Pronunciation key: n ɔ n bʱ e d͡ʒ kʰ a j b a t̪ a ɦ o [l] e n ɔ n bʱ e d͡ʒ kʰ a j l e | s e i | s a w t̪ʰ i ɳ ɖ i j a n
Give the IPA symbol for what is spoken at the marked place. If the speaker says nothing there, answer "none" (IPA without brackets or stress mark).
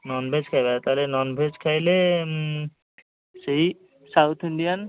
l